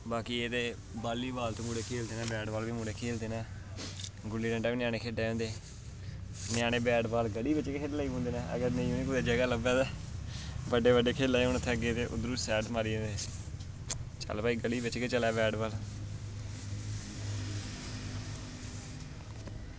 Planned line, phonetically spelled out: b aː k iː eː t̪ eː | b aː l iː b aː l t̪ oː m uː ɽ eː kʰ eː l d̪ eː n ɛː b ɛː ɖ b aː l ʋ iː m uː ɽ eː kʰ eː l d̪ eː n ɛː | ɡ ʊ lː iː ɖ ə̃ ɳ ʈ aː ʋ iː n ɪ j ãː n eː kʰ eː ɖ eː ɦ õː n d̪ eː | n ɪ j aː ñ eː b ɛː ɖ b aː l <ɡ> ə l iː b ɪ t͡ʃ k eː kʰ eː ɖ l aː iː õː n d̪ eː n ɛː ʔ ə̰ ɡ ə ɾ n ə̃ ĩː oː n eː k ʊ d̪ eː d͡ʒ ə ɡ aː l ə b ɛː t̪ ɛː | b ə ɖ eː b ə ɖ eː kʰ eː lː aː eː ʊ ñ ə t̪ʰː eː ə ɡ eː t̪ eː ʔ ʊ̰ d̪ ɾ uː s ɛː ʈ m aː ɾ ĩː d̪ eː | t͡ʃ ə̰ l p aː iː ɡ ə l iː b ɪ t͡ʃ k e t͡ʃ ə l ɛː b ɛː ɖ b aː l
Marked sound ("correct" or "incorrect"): correct